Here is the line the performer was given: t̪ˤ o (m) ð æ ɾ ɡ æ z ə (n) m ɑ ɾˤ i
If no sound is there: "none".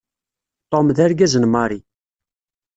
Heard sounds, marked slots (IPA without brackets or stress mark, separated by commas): m, n